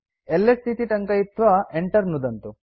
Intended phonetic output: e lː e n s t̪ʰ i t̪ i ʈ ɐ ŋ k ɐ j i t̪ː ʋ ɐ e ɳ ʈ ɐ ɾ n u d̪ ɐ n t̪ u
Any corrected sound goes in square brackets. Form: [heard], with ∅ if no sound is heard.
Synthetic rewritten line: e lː e [∅] s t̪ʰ i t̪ i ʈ ɐ ŋ k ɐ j i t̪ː ʋ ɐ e ɳ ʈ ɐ ɾ n u d̪ ɐ n t̪ u